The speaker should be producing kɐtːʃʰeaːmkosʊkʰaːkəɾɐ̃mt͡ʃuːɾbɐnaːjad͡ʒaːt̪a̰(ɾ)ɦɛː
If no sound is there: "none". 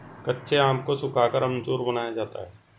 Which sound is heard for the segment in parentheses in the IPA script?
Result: none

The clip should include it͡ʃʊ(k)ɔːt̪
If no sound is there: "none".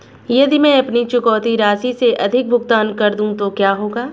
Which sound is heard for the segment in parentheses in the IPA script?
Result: k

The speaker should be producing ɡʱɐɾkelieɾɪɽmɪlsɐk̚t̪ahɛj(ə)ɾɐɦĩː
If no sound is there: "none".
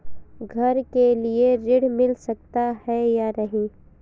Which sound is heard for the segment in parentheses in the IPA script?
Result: a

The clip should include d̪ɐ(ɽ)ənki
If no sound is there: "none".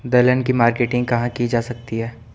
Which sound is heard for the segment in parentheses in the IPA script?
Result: l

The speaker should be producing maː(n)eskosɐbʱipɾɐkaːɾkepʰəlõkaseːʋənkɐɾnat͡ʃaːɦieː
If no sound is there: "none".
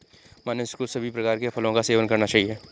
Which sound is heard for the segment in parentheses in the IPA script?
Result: n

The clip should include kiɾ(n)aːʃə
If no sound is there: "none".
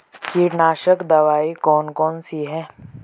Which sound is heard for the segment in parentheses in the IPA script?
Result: n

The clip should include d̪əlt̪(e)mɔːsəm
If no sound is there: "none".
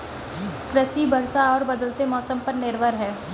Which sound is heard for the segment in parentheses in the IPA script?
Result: e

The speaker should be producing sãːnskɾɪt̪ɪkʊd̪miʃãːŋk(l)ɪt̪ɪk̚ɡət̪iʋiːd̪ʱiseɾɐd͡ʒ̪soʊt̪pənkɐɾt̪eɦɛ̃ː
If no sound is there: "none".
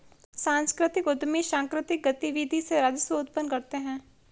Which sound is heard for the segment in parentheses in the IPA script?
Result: ɾ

